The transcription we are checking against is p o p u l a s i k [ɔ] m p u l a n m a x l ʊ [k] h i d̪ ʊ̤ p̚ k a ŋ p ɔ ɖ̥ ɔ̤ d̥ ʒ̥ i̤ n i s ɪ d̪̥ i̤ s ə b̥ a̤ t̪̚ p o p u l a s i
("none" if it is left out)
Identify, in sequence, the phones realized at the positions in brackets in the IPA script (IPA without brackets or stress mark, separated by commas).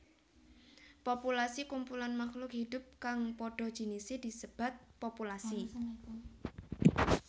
u, k